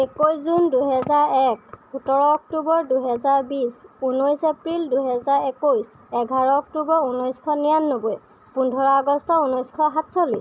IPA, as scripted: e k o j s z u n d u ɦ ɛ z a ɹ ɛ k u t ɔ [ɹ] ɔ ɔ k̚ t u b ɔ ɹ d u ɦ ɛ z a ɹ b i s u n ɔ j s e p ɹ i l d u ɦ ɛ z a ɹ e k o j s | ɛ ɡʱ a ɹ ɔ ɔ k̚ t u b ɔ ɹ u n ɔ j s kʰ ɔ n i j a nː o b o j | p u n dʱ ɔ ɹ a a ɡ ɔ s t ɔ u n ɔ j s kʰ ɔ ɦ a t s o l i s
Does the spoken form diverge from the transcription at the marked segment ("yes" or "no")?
no